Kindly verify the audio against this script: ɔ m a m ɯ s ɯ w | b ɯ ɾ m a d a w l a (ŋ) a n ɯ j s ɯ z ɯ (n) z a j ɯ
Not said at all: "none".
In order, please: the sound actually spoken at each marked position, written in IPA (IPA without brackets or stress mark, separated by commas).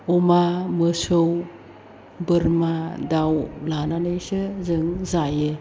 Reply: n, ŋ